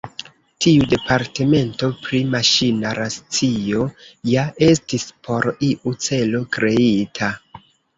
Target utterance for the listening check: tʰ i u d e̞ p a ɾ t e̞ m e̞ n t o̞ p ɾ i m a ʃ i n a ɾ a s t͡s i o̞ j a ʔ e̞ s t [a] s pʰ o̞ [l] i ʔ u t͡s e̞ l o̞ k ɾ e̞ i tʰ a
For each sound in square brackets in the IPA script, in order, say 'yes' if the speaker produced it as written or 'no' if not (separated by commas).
no, no